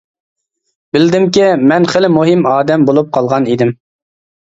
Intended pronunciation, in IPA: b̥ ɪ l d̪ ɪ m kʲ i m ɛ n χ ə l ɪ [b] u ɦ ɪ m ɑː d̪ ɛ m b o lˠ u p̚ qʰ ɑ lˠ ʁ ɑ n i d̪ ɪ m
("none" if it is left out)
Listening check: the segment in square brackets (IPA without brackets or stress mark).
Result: m